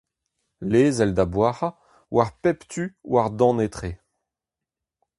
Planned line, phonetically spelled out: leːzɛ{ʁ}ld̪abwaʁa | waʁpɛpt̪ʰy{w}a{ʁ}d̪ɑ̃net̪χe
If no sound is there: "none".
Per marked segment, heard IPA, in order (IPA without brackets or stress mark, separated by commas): none, w, ʁ